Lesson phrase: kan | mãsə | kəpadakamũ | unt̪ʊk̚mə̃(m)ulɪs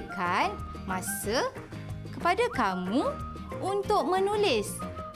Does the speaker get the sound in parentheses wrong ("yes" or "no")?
yes